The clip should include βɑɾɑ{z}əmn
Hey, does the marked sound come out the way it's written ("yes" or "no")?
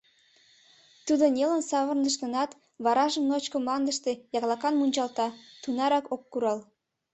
no